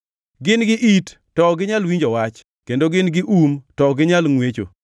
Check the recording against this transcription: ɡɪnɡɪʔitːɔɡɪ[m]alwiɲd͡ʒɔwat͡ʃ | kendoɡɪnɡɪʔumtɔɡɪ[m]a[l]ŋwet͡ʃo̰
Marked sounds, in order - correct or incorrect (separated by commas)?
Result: incorrect, incorrect, correct